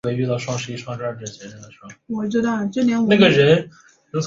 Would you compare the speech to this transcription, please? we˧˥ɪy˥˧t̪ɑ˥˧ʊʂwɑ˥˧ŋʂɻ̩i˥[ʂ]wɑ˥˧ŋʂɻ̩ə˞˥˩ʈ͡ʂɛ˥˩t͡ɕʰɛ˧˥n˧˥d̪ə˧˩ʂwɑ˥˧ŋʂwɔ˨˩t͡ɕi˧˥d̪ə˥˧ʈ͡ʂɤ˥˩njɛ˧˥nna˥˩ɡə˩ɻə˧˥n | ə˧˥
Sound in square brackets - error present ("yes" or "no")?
no